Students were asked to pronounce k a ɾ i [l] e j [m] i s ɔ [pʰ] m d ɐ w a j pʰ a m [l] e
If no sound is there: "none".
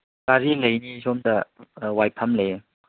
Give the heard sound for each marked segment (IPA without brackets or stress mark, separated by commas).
l, n, none, l